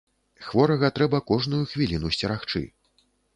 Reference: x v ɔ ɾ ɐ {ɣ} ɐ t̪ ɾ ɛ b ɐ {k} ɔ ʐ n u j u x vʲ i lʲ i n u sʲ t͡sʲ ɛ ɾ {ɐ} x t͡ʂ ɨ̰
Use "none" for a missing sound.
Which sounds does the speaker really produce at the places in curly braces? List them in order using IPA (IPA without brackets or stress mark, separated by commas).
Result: ɣ, k, a